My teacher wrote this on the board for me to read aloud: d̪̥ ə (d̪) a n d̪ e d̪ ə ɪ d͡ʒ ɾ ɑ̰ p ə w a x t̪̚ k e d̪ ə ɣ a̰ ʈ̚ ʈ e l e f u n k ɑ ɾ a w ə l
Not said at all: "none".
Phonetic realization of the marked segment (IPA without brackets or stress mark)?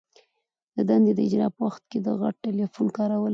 d̪